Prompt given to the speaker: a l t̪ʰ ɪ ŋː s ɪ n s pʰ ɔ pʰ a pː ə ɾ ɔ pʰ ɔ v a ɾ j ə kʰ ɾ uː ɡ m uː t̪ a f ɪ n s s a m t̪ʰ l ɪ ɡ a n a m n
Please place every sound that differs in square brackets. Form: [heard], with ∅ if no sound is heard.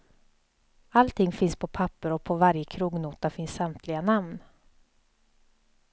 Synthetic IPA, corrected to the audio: a l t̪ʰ ɪ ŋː [f] ɪ n s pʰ ɔ pʰ a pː ə ɾ ɔ pʰ ɔ v a ɾ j ə kʰ ɾ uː ɡ [n] uː t̪ a f ɪ n s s a m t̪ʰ l ɪ ɡ a n a m n